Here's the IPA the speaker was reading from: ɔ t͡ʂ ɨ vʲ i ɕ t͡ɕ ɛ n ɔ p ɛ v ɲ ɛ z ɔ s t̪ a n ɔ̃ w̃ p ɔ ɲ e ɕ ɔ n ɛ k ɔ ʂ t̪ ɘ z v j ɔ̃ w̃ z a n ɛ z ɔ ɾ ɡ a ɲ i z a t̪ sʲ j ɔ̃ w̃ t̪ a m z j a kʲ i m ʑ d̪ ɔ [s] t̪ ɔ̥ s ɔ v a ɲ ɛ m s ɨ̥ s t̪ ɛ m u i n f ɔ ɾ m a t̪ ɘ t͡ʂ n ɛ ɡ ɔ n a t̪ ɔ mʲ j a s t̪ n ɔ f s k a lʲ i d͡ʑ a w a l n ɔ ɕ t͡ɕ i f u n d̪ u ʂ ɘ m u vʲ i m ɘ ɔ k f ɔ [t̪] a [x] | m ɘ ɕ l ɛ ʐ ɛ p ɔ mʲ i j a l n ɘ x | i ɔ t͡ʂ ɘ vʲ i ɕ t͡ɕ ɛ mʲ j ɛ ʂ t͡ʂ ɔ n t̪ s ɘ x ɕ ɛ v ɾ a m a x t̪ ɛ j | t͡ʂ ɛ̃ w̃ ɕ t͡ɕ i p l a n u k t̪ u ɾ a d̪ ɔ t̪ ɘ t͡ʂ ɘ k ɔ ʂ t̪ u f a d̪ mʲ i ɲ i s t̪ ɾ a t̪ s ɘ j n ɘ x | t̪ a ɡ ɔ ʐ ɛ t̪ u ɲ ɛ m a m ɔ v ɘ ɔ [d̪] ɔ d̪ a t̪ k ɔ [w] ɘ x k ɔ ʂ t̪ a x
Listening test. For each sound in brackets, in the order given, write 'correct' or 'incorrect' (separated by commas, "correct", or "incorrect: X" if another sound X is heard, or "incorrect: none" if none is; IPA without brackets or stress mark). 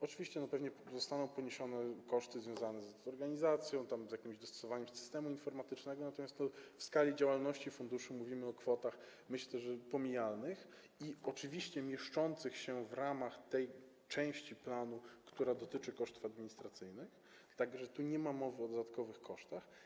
correct, correct, correct, correct, incorrect: v